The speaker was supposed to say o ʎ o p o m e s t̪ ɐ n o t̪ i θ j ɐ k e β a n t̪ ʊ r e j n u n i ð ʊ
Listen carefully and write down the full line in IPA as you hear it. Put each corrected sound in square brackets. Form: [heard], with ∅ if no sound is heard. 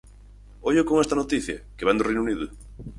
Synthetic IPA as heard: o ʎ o [k] o [ŋ] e s t̪ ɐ n o t̪ i θ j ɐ k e β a n [d̪] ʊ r e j n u n i ð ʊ